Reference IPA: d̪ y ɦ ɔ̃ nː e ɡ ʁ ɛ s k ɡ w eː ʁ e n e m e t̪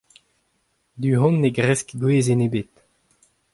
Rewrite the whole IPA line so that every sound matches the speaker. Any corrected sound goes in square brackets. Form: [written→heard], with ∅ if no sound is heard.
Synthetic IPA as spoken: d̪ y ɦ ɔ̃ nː e ɡ ʁ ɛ s k ɡ w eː [ʁ→z] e n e [m→b] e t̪